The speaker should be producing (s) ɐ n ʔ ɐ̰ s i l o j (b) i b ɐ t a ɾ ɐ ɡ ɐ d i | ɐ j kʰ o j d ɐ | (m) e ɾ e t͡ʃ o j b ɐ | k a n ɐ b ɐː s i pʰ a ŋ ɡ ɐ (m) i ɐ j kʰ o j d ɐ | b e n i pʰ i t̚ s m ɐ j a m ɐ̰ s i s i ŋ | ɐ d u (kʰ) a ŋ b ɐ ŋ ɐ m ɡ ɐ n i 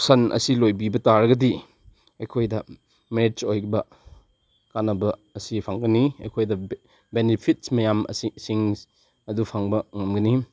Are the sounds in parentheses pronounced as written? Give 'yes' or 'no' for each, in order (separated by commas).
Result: yes, yes, yes, no, no